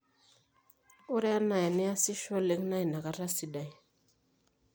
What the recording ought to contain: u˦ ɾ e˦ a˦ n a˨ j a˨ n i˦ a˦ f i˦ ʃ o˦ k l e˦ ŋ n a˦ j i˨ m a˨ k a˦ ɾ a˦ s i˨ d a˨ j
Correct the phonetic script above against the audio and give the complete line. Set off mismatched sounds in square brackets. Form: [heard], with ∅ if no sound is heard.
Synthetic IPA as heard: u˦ ɾ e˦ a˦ n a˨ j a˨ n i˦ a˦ [s] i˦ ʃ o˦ [∅] l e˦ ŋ n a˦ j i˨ [n] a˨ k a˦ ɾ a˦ s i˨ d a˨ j